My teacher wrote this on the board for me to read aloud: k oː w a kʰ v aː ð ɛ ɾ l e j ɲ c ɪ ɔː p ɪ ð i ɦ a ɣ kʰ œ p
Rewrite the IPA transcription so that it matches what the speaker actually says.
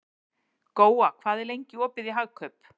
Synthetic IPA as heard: k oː w a kʰ v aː ð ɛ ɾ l e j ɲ c ɪ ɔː p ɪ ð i ɦ a ɣ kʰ œ p